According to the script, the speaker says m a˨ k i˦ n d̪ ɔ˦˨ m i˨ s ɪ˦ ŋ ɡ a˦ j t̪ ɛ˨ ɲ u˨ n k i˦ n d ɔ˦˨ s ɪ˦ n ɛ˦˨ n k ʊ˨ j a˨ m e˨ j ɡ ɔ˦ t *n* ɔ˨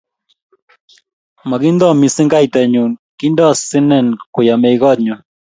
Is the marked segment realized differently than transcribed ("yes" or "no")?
yes